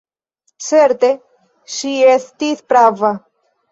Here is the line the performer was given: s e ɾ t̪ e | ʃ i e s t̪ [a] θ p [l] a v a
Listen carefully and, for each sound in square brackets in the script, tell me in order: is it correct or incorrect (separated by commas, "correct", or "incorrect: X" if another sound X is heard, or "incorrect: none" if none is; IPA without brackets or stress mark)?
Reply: incorrect: i, incorrect: ɾ